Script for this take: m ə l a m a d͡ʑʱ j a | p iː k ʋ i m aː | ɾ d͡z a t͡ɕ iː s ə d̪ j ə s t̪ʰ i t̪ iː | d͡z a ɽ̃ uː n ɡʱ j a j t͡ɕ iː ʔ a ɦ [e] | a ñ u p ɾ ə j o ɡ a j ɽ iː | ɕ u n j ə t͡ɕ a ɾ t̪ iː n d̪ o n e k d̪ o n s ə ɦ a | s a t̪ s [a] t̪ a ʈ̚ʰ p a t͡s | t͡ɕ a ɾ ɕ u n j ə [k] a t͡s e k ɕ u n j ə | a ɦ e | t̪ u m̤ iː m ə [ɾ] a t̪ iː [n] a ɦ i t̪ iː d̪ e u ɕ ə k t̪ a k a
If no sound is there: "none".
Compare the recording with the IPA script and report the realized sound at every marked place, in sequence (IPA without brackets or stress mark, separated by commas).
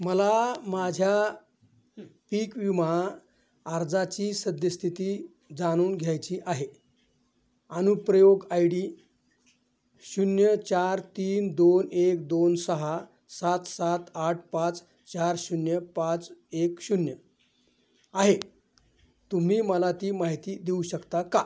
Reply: e, a, p, l, m